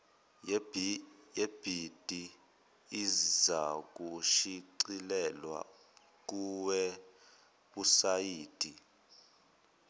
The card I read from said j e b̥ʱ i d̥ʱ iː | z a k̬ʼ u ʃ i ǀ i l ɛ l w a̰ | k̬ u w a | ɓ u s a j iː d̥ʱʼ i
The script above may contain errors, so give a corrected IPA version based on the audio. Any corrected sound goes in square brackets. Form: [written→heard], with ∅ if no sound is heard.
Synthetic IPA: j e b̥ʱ i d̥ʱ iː | z a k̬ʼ u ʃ i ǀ i l ɛ l w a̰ | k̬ u w [a→ɛ] | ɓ u s a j iː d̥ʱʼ i